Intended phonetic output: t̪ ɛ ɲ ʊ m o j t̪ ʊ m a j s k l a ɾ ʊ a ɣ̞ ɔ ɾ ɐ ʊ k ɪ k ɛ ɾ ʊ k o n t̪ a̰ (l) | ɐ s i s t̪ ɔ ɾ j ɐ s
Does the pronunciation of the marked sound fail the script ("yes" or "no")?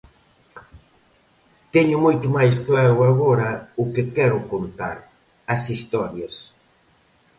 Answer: yes